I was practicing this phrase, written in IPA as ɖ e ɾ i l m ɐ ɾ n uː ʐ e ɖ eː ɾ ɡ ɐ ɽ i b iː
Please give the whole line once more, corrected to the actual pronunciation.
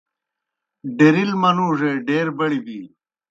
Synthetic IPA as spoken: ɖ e ɾ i l m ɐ n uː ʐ e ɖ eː ɾ b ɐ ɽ i b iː

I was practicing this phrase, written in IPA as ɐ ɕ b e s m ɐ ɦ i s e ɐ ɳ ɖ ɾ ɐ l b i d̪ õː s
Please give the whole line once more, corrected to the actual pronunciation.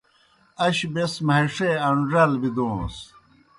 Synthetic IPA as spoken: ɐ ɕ b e s m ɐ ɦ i ʂ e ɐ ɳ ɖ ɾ ɐ l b i d̪ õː s

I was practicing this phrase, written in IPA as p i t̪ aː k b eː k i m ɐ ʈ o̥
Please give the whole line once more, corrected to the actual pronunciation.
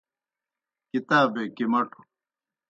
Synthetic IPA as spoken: k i t̪ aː b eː k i m ɐ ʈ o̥

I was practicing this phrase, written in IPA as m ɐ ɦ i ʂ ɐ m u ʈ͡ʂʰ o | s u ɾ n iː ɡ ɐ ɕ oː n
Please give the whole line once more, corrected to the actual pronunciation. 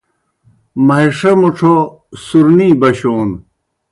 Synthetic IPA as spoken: m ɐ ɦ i ʂ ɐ m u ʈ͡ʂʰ o | s u ɾ n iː b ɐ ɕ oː n

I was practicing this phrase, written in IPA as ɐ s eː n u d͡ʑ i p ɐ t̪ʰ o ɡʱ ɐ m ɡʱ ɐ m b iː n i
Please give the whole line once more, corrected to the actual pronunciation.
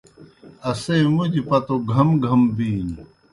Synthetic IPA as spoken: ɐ s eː m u d͡ʑ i p ɐ t̪ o ɡʱ ɐ m ɡʱ ɐ m b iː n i

